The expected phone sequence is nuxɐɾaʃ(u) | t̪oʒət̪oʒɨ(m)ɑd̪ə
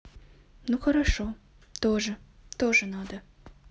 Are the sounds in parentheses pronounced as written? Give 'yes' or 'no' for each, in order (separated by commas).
no, no